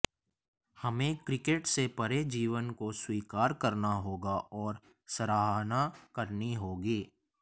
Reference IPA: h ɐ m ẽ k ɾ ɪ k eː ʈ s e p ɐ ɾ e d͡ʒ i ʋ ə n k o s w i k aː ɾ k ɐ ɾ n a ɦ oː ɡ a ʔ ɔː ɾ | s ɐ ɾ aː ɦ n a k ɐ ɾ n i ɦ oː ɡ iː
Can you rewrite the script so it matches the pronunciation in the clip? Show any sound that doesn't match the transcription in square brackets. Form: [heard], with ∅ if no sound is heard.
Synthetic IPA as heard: h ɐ m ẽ k ɾ ɪ k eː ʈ s e p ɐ ɾ e d͡ʒ [iː] ʋ ə n k o s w [iː] k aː ɾ k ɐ ɾ n a ɦ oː ɡ a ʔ ɔː ɾ | s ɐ ɾ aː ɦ n a k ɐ ɾ n i ɦ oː ɡ iː